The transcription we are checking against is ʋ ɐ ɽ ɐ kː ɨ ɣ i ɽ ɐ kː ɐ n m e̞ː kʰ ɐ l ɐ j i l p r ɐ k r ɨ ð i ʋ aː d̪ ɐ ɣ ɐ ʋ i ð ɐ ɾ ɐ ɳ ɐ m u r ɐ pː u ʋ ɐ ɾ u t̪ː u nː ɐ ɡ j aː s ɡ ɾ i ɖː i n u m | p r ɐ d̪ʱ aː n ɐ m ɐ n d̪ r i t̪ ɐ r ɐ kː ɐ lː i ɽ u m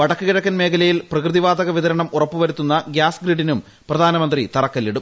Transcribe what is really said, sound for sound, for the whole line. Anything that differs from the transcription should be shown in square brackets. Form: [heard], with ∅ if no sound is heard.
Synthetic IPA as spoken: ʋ ɐ ɽ ɐ kː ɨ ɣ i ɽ ɐ kː ɐ n m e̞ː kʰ ɐ l ɐ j i l p r ɐ k r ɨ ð i ʋ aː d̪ ɐ ɣ ɐ ʋ i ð ɐ ɾ ɐ ɳ ɐ m u r ɐ pː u ʋ ɐ ɾ u t̪ː u nː ɐ ɡ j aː s ɡ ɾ i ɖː i n u m | p r ɐ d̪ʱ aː n ɐ m ɐ n d̪ r i t̪ ɐ r ɐ kː ɐ lː i ɽ u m